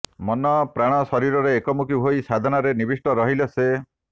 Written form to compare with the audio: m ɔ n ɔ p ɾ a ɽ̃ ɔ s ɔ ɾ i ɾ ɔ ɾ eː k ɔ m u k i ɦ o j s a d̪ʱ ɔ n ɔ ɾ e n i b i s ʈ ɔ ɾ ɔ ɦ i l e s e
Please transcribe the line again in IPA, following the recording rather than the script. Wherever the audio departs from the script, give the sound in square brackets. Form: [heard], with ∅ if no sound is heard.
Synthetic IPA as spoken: m ɔ n ɔ p ɾ a ɽ̃ ɔ s ɔ ɾ i ɾ ɔ ɾ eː k ɔ m u k i ɦ o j s a d̪ʱ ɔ n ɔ ɾ e n i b i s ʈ ɔ ɾ ɔ ɦ i l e s e